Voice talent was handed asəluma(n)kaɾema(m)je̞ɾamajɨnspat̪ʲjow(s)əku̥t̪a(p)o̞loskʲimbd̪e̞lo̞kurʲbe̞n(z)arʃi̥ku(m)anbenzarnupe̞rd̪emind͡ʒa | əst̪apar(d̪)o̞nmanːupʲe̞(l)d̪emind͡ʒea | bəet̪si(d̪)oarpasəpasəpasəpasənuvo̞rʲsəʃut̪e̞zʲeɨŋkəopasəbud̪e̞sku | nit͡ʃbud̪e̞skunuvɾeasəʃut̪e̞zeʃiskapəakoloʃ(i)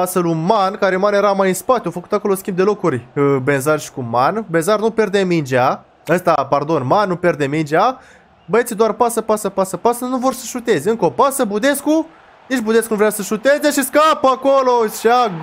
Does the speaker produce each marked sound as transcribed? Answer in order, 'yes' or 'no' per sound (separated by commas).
yes, no, no, no, yes, yes, yes, no, yes, no